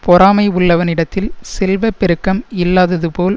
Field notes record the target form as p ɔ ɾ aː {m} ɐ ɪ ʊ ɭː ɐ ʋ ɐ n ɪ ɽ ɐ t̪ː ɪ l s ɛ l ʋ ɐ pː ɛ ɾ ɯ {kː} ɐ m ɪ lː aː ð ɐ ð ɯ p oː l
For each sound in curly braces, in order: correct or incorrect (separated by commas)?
correct, correct